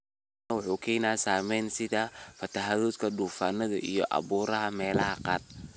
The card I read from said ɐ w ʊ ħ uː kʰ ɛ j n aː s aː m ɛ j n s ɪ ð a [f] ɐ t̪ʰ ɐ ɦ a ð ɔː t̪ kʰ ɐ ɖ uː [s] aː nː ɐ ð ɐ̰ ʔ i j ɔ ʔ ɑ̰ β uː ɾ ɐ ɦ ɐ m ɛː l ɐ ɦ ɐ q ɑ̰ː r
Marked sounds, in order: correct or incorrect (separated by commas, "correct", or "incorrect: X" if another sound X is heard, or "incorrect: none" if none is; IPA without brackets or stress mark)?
correct, incorrect: f